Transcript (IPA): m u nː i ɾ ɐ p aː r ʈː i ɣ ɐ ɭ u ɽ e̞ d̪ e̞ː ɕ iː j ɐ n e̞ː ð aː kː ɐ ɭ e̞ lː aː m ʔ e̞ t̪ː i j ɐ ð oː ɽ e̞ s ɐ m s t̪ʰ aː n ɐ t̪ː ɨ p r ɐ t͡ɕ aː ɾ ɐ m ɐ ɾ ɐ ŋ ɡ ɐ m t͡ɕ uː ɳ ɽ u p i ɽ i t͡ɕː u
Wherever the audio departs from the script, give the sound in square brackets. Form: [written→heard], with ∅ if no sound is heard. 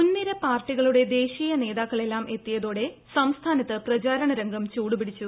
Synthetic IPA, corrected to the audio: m u nː i ɾ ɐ p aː r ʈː i ɣ ɐ ɭ u ɽ e̞ d̪ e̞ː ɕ iː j ɐ n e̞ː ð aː kː ɐ ɭ e̞ lː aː m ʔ e̞ t̪ː i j ɐ ð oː ɽ e̞ s ɐ m s t̪ʰ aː n ɐ t̪ː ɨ p r ɐ t͡ɕ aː ɾ ɐ [m→ɳ] ɐ ɾ ɐ ŋ ɡ ɐ m t͡ɕ uː [ɳ→∅] ɽ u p i ɽ i t͡ɕː u